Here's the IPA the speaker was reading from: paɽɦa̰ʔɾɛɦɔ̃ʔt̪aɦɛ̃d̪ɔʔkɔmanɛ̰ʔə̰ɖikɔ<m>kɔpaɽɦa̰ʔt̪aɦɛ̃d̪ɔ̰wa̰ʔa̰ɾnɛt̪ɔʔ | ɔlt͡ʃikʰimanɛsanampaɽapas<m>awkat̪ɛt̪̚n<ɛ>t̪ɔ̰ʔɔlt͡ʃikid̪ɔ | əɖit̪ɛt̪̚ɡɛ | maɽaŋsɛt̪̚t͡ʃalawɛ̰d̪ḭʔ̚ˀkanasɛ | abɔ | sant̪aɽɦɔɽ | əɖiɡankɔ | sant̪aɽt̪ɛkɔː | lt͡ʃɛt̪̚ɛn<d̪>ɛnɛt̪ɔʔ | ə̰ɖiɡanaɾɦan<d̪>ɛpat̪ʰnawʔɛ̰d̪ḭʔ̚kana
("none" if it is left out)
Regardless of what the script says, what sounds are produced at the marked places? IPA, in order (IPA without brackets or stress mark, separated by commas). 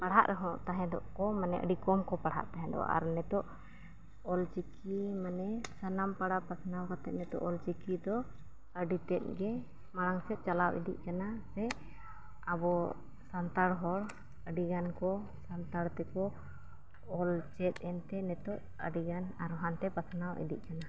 m, n, ɛ, t̪, t̪